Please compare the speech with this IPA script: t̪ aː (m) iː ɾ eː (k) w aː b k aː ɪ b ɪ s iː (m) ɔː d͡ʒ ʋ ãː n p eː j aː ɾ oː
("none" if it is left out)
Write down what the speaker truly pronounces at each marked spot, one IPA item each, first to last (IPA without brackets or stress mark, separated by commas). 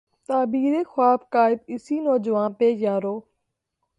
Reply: b, x, n